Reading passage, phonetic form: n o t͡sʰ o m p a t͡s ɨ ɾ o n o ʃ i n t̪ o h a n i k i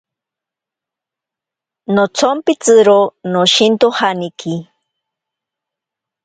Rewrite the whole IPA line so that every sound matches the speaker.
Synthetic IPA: n o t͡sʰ o m p i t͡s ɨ ɾ o n o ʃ i n t̪ o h a n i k i